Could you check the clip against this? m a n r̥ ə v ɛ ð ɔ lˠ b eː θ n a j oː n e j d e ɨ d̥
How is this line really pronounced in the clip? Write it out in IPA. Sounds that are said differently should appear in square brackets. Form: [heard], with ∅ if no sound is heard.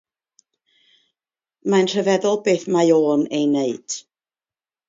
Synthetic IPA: m a n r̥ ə v ɛ ð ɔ lˠ b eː θ [m] a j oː n e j [n] e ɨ d̥